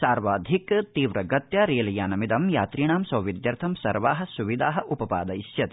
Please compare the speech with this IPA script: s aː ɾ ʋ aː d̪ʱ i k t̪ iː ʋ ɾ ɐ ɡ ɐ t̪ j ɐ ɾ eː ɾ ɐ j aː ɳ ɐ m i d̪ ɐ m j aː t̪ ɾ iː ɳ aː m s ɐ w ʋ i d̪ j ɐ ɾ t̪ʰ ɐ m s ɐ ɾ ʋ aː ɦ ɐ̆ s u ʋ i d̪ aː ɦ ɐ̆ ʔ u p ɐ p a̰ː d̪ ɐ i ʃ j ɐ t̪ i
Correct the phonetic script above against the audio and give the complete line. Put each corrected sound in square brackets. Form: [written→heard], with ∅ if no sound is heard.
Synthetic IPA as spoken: s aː ɾ ʋ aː d̪ʱ i k t̪ iː ʋ ɾ ɐ ɡ ɐ t̪ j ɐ ɾ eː [ɾ→l] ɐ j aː [ɳ→n] ɐ m i d̪ ɐ m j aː t̪ ɾ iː ɳ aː m s ɐ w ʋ i d̪ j ɐ ɾ t̪ʰ ɐ m s ɐ ɾ ʋ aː ɦ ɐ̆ s u ʋ i d̪ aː ɦ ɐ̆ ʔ u p ɐ p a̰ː d̪ ɐ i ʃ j ɐ t̪ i